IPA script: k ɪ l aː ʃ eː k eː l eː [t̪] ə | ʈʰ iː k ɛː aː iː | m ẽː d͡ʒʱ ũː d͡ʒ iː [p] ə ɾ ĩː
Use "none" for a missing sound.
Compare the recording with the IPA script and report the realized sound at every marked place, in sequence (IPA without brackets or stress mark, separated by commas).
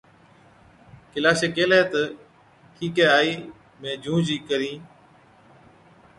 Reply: t̪, k